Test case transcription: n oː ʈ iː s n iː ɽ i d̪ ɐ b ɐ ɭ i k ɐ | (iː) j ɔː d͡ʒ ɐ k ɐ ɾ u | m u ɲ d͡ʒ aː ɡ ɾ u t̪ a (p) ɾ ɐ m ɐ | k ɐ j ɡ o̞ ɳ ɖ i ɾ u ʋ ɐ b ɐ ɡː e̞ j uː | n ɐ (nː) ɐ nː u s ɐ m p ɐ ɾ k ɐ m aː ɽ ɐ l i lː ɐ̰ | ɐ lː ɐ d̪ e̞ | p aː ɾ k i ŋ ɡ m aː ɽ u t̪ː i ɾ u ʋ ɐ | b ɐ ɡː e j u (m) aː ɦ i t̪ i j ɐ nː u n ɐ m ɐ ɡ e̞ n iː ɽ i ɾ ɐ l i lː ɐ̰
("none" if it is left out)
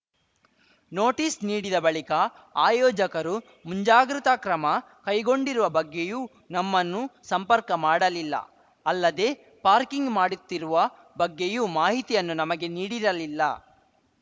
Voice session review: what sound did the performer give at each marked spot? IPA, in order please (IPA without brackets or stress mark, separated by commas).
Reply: aː, k, mː, m